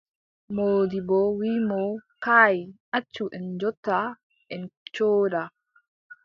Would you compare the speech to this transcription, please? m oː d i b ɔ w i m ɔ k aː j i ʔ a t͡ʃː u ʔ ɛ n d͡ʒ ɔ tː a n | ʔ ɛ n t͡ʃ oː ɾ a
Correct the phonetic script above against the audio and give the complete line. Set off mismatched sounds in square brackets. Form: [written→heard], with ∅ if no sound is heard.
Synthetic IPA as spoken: m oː d i b ɔ w i m ɔ k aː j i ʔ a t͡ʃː u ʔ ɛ n d͡ʒ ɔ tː a [n→∅] | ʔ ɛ n t͡ʃ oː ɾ a